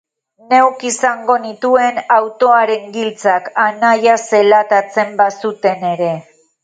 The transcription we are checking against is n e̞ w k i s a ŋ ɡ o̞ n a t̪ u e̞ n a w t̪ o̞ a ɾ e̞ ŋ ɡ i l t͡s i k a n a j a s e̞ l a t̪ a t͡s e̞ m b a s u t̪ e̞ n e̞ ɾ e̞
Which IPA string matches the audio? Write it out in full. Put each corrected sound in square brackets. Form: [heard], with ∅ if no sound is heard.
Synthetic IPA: n e̞ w k i s a ŋ ɡ o̞ n [i] t̪ u e̞ n a w t̪ o̞ a ɾ e̞ ŋ ɡ i l t͡s [a] k a n a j a s e̞ l a t̪ a t͡s e̞ m b a s u t̪ e̞ n e̞ ɾ e̞